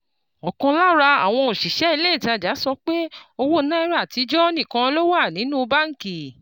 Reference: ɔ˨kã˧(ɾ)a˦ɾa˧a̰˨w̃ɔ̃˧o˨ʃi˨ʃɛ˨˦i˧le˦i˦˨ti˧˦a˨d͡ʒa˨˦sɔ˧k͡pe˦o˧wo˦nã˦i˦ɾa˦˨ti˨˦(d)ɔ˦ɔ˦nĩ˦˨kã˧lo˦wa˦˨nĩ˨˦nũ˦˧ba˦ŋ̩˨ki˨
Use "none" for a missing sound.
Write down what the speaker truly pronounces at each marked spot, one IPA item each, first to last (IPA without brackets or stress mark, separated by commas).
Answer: l, d͡ʒ